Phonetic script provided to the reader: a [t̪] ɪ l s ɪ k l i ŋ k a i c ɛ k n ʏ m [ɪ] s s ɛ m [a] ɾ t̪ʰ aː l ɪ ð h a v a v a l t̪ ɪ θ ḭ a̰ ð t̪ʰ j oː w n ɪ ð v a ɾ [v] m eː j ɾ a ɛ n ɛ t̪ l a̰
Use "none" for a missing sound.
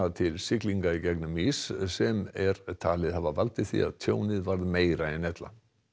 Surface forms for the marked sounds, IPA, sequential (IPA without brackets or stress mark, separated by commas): t̪ʰ, i, ɛ, ð